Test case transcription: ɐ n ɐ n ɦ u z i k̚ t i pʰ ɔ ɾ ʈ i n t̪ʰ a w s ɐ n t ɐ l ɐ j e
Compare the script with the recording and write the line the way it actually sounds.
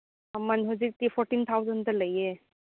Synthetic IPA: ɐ m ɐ n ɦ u z i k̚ t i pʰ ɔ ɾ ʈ i n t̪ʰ a w z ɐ n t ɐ l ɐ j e